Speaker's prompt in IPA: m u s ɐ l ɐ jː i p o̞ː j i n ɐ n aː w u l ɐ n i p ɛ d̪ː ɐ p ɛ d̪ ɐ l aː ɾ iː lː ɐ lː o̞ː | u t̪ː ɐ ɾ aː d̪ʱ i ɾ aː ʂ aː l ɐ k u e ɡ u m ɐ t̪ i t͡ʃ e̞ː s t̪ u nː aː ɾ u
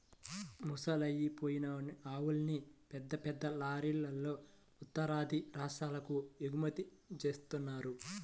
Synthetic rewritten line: m u s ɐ l ɐ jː i p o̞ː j i n ɐ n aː w u l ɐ n i p ɛ d̪ː ɐ p ɛ d̪ː ɐ l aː ɾ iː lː ɐ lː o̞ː | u t̪ː ɐ ɾ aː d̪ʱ i ɾ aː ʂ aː l ɐ k u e ɡ u m ɐ t̪ i t͡ʃ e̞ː s t̪ u nː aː ɾ u